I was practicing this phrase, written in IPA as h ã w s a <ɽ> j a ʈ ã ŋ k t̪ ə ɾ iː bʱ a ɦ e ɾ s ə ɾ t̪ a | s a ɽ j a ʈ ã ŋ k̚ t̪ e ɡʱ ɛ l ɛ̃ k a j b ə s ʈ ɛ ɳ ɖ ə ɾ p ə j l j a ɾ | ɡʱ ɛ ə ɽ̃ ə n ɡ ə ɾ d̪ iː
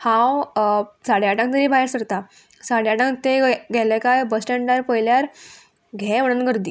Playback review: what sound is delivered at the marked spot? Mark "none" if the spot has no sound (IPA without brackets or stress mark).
ɽ